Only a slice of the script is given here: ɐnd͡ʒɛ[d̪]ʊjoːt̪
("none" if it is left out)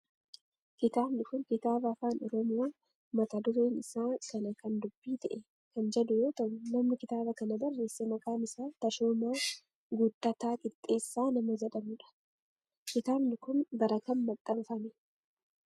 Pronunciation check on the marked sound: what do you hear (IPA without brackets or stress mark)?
d̪